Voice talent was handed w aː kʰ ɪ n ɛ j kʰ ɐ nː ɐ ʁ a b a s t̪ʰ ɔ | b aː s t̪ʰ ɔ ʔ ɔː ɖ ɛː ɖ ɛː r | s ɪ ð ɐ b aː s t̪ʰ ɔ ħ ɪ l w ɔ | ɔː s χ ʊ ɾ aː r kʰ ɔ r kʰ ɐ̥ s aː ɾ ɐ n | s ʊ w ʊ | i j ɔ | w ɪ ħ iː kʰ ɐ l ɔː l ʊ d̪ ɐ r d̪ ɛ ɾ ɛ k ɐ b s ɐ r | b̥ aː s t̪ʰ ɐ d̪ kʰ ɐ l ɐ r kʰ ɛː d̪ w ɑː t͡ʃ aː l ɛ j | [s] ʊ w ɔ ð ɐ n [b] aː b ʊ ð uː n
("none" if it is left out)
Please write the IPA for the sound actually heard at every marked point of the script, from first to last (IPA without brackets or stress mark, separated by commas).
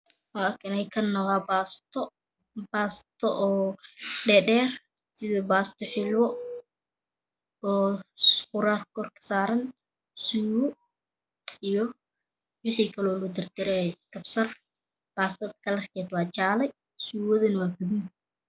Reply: s, w